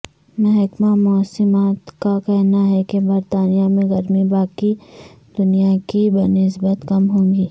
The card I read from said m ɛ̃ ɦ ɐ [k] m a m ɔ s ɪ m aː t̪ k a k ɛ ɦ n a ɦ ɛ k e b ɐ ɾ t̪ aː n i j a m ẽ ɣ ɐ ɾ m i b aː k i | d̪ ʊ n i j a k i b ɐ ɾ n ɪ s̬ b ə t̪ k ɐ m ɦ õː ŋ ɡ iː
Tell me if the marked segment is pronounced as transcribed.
yes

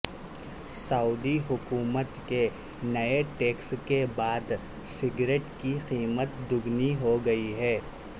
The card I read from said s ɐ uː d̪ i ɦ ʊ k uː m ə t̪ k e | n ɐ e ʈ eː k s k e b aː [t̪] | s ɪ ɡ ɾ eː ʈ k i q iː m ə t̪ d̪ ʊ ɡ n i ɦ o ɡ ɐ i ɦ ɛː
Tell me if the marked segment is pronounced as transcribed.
no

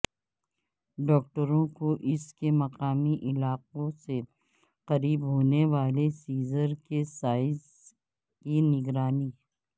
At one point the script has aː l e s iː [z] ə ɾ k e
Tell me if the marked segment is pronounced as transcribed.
yes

